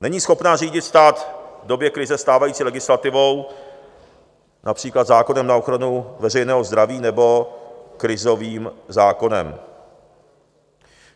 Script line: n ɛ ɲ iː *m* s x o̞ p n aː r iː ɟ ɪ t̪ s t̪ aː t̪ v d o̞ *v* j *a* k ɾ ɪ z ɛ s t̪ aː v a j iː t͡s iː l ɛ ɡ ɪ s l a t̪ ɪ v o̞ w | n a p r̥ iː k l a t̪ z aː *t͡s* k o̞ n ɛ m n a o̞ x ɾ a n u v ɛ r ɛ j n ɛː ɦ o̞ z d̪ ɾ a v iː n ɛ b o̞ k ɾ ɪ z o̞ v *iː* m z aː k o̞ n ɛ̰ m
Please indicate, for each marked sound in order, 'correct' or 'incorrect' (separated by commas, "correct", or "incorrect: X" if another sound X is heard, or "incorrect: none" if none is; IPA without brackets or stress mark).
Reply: incorrect: none, incorrect: b, incorrect: ɛ, incorrect: none, correct